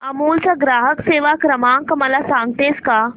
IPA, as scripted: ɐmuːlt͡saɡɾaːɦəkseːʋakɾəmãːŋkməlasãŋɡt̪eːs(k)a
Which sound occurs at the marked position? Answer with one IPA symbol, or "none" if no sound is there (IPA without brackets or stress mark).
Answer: k